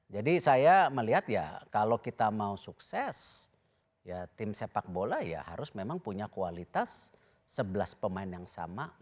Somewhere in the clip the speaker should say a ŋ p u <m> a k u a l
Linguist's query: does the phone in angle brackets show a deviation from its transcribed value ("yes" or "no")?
yes